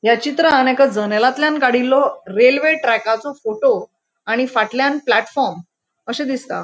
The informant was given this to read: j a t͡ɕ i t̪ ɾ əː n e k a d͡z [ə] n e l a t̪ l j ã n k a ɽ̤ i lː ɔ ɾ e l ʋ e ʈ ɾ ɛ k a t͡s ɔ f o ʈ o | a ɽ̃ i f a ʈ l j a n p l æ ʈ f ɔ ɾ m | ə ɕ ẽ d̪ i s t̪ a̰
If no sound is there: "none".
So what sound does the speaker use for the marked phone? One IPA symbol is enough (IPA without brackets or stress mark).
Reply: ə